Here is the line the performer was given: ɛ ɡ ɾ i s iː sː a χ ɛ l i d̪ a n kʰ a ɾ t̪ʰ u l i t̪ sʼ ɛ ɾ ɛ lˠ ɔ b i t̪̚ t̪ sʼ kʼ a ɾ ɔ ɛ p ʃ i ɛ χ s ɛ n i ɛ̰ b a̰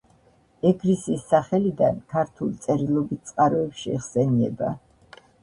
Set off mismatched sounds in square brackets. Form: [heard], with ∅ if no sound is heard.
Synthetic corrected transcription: ɛ ɡ ɾ i s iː sː a χ ɛ l i d̪ a n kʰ a ɾ t̪ʰ u l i t̪ sʼ ɛ ɾ [i] lˠ ɔ b i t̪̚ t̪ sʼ [qʼ] a ɾ ɔ ɛ p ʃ i ɛ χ s ɛ n i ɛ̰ b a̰